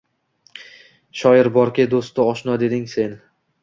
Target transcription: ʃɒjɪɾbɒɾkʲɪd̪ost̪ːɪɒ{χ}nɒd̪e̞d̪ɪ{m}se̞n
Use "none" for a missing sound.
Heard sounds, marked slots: ʃ, ŋ

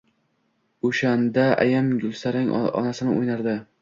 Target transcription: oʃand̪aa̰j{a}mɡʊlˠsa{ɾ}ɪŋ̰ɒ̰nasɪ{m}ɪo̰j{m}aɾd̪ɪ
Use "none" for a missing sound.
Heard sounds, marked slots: a, ɾ, n, n

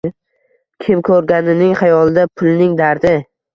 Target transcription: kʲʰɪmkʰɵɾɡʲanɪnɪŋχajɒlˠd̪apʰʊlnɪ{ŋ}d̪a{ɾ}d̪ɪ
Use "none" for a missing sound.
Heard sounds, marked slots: ŋ, ɾ

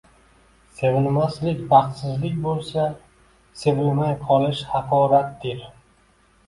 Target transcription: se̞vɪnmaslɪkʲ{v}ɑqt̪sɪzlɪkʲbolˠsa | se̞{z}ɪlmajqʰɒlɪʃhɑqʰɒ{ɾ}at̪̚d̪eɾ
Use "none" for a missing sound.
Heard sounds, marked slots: b, v, ɾ

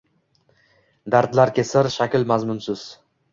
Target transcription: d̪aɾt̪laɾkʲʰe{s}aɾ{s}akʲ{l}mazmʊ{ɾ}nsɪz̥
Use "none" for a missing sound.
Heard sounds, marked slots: s, ʃ, l, none

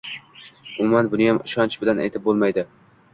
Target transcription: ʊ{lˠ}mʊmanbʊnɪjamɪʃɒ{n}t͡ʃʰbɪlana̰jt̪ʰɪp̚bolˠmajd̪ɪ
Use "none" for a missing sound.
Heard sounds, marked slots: none, n

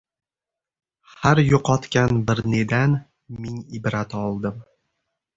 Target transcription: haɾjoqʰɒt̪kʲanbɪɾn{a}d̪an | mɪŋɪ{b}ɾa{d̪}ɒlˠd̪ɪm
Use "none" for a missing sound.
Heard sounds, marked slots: e, b, t̪

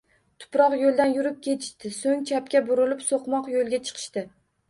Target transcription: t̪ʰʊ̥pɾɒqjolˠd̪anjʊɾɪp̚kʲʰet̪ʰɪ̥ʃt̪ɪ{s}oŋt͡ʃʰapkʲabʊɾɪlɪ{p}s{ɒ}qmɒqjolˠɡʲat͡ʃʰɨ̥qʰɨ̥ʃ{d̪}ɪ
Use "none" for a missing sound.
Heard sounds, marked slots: s, p, o, t̪

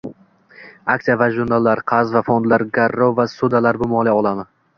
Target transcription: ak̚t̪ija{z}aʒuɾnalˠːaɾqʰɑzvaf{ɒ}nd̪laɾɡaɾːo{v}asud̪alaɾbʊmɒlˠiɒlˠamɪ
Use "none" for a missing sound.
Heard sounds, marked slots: v, o, v

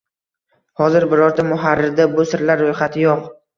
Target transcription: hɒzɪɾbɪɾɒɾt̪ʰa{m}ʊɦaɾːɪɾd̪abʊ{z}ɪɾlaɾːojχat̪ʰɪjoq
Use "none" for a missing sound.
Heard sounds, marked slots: m, s

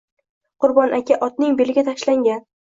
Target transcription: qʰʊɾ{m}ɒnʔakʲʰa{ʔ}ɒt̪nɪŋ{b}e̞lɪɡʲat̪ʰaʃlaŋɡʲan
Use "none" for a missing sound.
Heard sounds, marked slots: b, ʔ, b

